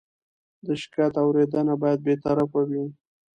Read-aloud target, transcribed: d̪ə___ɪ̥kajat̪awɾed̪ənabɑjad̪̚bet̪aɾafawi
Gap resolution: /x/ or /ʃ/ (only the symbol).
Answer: ʃ